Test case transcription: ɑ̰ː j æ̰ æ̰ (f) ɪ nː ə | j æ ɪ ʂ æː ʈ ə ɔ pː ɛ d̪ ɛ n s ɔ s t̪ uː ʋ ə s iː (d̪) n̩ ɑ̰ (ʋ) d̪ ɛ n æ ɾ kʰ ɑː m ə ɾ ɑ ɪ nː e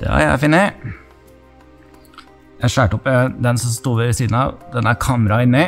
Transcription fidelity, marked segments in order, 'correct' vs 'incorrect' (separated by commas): correct, correct, correct